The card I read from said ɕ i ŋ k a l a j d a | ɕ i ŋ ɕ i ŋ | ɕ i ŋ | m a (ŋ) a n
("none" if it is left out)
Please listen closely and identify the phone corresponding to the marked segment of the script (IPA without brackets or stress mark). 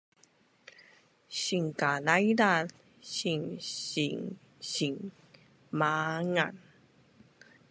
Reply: ŋ